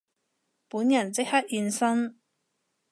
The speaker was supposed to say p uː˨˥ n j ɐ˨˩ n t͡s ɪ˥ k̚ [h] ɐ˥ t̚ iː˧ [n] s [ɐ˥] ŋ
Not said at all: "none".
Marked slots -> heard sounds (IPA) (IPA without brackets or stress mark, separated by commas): h, n, ɐ˥